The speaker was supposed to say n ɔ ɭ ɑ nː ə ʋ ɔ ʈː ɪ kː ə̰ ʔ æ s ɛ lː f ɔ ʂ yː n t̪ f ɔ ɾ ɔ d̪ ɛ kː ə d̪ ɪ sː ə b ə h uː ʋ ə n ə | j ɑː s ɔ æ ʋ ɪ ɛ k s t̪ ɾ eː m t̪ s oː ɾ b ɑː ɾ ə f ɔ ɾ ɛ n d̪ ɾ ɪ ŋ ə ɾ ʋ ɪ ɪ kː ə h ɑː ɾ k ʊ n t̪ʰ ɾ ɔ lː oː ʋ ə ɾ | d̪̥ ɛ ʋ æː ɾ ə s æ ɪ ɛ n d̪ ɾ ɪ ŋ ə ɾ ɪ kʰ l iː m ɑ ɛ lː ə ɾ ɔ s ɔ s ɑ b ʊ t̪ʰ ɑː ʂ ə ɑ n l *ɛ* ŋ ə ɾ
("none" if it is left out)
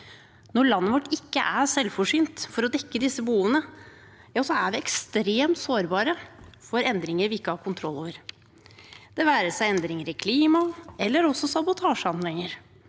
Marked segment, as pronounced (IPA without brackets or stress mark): ɛ